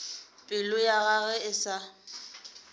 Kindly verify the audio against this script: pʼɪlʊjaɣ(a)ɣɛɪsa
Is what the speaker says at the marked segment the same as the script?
yes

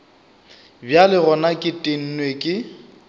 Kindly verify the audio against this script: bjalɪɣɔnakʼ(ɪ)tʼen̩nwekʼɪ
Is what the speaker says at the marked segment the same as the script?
yes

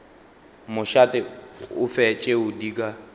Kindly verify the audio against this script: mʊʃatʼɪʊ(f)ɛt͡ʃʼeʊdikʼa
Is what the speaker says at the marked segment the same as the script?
yes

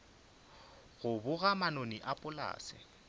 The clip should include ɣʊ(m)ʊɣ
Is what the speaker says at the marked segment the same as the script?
no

